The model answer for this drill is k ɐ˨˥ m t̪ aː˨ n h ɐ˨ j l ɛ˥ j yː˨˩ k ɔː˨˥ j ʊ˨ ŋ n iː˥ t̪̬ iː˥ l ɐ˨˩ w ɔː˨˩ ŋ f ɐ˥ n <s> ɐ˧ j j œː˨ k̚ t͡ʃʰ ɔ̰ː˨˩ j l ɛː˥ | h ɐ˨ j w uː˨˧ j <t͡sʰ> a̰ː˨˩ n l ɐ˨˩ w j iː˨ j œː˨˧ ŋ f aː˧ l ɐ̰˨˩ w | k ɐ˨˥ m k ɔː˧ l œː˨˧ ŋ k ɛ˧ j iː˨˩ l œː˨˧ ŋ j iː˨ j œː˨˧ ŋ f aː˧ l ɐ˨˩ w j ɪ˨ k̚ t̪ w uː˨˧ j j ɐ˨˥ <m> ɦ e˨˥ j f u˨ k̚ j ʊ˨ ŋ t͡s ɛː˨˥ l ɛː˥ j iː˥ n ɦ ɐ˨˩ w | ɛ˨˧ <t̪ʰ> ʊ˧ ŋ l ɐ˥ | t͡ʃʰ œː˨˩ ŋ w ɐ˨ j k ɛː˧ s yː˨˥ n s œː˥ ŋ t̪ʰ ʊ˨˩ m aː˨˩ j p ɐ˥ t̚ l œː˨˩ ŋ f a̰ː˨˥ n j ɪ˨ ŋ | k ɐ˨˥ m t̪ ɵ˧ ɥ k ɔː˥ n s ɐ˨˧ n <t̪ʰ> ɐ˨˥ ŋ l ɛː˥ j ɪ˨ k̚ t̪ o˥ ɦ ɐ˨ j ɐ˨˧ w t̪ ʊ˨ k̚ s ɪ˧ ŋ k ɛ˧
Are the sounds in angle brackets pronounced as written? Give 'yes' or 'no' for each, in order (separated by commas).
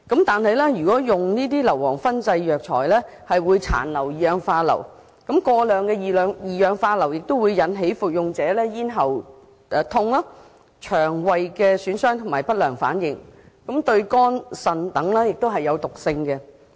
no, yes, no, yes, no